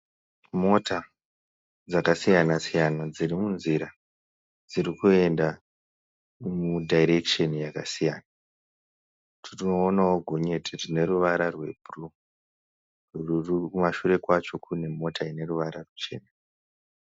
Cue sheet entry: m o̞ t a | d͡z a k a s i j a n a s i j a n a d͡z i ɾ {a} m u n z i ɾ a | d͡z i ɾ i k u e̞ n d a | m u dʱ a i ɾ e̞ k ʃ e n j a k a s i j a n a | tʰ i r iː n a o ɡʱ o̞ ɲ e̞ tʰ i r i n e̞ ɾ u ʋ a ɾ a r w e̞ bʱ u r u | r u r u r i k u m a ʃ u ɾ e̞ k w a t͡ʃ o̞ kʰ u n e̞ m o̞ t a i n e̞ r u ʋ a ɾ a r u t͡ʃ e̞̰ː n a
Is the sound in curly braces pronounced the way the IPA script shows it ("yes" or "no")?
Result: no